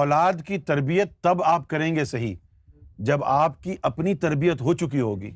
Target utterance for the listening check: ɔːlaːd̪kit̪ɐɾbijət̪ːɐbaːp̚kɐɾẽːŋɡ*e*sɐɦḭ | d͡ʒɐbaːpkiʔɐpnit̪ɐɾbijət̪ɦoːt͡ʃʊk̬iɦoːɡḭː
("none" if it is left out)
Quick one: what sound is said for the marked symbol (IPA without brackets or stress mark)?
e